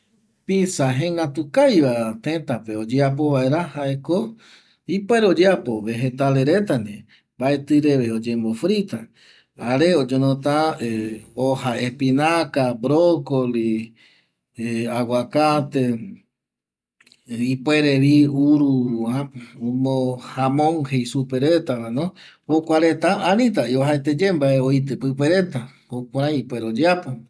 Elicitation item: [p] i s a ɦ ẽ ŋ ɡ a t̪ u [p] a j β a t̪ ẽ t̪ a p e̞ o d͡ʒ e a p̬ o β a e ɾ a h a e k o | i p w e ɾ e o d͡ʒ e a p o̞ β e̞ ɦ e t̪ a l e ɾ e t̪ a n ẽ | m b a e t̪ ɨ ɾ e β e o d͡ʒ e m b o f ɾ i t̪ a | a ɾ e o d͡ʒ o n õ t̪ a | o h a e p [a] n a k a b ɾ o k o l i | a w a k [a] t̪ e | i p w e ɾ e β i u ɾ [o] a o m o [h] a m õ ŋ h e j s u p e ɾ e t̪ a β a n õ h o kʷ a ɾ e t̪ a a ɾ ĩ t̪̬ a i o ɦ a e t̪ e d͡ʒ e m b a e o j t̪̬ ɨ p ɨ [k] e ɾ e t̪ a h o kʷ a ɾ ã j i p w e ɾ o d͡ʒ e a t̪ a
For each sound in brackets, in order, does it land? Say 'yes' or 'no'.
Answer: yes, no, no, yes, no, yes, no

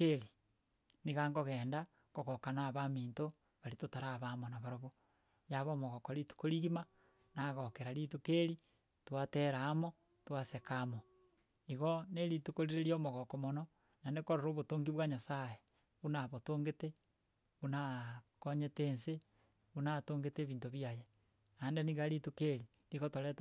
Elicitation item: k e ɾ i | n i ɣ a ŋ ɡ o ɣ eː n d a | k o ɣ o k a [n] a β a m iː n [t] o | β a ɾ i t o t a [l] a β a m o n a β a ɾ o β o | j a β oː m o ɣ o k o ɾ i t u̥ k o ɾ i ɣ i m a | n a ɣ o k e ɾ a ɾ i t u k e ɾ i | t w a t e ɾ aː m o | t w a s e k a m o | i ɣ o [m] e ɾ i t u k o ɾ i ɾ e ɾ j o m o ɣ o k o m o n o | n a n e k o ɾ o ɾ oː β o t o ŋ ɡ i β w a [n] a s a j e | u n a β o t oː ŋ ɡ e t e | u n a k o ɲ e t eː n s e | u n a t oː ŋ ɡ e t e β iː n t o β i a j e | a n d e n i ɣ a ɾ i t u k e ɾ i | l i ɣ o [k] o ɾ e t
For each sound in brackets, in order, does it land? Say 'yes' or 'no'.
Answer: yes, yes, no, no, no, no

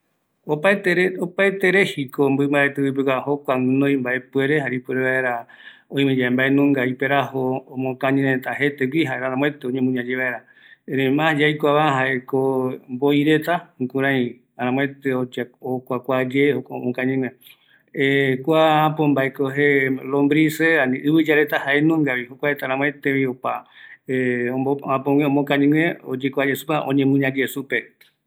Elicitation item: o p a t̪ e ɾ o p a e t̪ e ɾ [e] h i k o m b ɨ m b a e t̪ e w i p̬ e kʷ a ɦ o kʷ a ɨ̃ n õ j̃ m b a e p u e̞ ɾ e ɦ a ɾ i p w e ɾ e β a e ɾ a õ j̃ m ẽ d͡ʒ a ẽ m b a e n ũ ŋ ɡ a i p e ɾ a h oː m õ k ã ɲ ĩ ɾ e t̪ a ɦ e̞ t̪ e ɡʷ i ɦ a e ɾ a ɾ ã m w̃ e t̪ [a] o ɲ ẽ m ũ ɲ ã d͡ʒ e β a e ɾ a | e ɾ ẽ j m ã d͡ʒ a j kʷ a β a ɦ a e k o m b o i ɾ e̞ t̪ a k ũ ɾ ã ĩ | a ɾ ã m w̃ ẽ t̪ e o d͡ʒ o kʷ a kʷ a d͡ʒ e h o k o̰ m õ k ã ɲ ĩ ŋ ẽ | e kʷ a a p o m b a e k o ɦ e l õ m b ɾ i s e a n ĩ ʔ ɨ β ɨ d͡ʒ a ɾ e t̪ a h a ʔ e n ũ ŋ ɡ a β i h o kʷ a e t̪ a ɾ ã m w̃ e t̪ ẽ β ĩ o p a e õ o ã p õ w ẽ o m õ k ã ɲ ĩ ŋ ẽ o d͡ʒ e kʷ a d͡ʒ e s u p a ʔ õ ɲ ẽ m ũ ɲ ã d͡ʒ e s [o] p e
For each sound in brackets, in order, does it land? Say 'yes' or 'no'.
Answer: yes, no, no

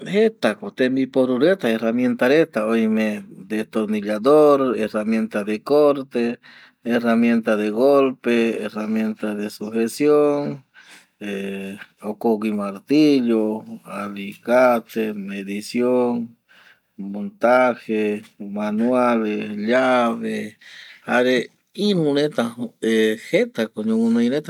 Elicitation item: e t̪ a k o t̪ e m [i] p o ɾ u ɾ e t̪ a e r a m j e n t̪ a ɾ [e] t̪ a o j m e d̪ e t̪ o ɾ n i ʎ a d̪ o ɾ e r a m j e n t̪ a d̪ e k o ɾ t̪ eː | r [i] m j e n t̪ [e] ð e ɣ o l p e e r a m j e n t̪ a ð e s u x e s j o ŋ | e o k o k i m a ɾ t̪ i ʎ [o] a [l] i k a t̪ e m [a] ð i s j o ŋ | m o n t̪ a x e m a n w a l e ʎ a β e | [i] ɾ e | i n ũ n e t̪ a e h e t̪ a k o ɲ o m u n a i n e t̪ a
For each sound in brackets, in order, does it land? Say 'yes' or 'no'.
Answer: yes, yes, no, no, yes, yes, no, no

